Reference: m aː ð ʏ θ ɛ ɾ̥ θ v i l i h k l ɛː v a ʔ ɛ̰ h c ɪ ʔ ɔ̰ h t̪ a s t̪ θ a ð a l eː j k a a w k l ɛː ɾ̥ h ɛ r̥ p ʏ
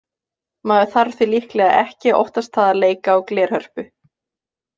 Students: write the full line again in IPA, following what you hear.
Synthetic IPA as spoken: m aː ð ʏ θ a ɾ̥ θ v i l i h k l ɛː ɣ a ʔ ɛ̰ h c ɪ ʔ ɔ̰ h t̪ a s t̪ θ a ð a l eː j k a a w k l ɛː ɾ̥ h œ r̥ p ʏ